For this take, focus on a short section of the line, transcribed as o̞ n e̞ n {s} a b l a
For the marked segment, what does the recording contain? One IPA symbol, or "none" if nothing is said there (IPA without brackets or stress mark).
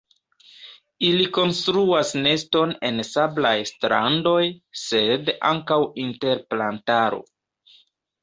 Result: s